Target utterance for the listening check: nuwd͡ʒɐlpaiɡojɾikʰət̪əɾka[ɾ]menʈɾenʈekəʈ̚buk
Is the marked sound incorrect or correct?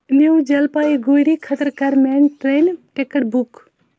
correct